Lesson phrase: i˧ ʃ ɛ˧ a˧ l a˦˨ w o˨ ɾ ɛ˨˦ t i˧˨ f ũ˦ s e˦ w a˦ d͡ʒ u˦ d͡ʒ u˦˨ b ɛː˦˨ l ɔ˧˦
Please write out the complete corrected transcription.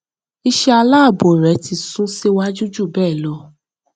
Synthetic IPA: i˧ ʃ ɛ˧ a˧ l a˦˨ b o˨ ɾ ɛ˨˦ t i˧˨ s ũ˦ s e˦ w a˦ d͡ʒ u˦ d͡ʒ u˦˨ b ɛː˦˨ l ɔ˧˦